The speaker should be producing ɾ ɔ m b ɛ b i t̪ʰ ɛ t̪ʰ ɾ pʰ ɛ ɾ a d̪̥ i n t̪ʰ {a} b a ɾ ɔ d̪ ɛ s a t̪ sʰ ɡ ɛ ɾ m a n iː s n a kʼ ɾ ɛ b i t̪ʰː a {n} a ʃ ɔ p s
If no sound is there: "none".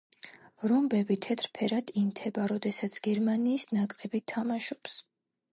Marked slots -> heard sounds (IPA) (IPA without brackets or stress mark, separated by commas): ɛ, m